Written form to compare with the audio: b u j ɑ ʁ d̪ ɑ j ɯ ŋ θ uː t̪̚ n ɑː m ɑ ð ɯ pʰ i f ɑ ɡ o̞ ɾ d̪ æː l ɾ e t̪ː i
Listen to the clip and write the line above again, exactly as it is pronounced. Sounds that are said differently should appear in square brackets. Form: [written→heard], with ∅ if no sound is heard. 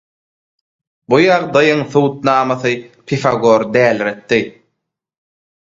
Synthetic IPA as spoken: b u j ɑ ʁ d̪ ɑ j ɯ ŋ θ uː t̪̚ n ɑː m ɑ [ð→θ] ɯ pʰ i f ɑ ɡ o̞ ɾ d̪ æː l ɾ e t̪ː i